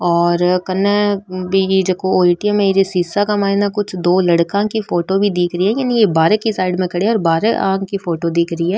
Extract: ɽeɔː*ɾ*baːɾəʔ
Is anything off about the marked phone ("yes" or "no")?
no